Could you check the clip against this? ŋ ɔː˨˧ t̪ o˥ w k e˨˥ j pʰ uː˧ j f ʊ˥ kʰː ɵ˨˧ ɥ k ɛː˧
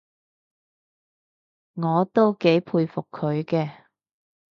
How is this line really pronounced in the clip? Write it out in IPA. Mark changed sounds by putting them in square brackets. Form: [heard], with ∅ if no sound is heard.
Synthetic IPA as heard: ŋ ɔː˨˧ t̪ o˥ w k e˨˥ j pʰ uː˧ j f [ʊ˨] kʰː ɵ˨˧ ɥ k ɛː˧